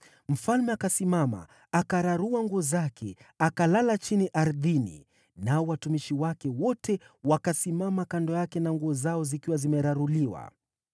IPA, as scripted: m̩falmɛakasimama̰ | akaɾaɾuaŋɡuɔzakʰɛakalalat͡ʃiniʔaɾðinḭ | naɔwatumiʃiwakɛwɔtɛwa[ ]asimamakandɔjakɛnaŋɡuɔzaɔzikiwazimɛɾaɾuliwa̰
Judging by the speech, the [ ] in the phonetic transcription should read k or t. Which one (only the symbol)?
k